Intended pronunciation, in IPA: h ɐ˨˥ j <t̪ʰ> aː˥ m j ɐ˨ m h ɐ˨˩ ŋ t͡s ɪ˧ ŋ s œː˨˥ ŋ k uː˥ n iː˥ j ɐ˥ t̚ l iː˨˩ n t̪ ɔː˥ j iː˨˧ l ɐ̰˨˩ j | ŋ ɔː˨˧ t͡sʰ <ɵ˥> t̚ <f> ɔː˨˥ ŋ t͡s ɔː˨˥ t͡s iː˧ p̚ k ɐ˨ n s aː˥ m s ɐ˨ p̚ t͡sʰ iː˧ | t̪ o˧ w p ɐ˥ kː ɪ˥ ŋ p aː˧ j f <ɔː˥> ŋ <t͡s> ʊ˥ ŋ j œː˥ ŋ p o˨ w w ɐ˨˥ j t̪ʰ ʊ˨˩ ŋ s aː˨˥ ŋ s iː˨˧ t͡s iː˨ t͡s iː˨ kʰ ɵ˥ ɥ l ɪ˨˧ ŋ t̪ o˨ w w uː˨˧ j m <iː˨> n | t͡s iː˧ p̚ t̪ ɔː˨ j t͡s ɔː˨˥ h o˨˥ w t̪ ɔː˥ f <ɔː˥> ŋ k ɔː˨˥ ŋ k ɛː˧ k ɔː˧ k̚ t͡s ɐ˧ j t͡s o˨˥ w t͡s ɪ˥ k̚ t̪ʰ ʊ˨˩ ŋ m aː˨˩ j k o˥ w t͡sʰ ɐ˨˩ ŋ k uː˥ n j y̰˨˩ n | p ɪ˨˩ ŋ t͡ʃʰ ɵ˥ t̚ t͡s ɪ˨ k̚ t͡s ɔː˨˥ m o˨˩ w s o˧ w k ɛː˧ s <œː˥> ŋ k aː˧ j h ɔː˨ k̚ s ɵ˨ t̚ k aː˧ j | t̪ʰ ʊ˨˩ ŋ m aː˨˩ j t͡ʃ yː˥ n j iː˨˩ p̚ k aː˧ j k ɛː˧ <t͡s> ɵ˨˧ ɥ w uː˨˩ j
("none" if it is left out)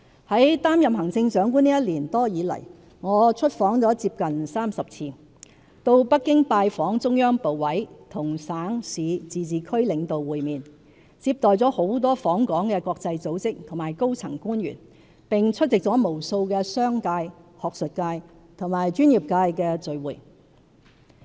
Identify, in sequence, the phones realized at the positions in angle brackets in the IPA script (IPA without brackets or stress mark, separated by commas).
t̪, ɵ˥, f, ɔː˨˥, t͡s, iː˨, ɔː˨˥, œː˥, t͡s